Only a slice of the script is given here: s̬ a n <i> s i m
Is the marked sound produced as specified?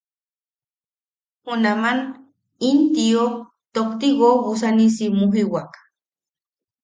yes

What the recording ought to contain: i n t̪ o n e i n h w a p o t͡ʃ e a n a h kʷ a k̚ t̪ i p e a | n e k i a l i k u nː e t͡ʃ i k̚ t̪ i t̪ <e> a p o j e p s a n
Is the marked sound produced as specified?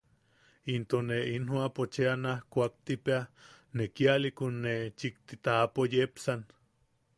no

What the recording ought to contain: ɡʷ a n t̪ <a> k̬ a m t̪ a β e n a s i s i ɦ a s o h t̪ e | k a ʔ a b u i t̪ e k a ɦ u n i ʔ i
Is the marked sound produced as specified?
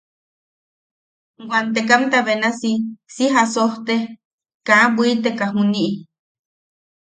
no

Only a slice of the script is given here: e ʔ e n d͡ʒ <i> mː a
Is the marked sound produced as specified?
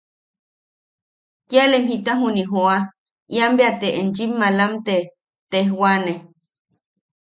yes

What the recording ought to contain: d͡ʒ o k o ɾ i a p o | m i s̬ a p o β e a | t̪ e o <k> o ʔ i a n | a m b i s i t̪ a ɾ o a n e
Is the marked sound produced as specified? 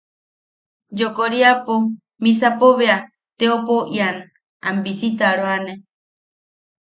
no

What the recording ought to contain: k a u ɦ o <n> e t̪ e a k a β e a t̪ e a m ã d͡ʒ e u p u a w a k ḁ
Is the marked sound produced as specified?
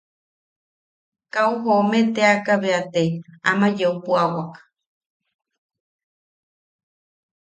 no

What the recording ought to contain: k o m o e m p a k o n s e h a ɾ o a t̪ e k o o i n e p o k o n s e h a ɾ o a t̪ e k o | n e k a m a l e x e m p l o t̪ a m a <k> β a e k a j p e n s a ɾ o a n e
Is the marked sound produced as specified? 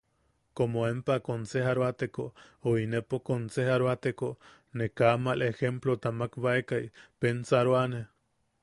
yes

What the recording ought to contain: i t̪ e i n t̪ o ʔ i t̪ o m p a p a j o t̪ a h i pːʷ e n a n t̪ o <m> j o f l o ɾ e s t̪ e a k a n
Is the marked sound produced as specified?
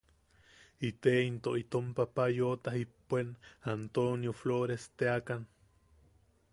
no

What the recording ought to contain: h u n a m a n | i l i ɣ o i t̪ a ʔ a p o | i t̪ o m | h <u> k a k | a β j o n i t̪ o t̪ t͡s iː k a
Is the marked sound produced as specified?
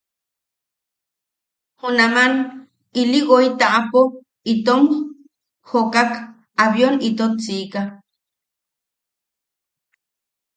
no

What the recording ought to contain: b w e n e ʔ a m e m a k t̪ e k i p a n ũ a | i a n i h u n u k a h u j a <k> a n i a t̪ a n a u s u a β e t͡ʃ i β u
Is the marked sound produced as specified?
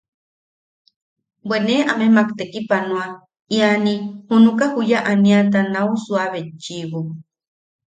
no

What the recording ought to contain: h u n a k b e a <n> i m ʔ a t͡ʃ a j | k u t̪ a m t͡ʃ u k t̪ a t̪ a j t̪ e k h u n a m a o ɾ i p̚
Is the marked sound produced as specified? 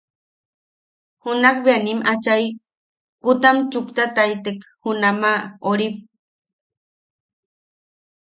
yes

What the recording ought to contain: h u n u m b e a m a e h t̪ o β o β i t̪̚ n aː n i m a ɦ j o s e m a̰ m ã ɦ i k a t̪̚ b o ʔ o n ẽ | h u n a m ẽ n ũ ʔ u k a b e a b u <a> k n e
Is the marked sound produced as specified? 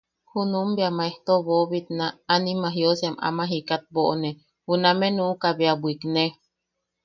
no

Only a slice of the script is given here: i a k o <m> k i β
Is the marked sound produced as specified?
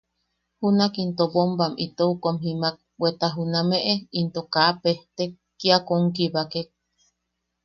no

